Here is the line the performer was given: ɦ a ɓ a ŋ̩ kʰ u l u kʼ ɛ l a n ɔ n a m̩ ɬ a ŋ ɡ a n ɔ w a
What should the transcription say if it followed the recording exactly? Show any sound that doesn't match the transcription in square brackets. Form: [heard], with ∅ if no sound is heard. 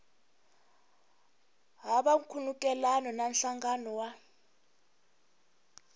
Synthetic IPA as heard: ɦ a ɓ a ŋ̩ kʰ u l u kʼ ɛ l a n ɔ n a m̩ ɬ a ŋ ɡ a n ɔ w a